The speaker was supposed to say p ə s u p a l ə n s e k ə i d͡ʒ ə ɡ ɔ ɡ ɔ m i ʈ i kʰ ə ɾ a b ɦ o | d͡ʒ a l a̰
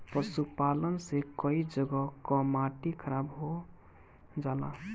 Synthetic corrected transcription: p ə s u p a l ə n s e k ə i d͡ʒ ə ɡ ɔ k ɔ m a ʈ i kʰ ə ɾ a b ɦ o | d͡ʒ a l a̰